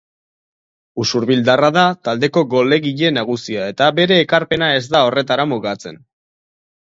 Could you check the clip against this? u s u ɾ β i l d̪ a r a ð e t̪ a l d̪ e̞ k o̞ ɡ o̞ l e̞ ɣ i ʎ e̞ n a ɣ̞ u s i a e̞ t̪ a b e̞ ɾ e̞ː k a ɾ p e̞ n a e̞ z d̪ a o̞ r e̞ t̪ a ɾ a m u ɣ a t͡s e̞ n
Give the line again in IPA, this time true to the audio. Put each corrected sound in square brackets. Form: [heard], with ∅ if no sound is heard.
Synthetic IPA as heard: u s u ɾ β i l d̪ a r a ð [a] t̪ a l d̪ e̞ k o̞ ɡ o̞ l e̞ ɣ i ʎ e̞ n a ɣ̞ u s i a e̞ t̪ a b e̞ ɾ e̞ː k a ɾ p e̞ n a e̞ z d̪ a o̞ r e̞ t̪ a ɾ a m u ɣ a t͡s e̞ n